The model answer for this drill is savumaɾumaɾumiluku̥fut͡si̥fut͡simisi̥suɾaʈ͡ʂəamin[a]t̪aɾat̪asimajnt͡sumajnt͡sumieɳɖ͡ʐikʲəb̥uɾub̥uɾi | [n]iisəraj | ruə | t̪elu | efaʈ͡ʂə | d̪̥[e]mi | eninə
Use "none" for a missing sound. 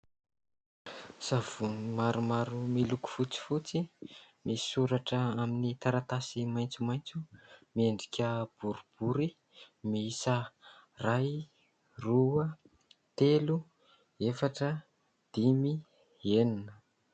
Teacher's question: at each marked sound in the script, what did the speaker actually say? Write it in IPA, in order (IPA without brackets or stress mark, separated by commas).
i, m, i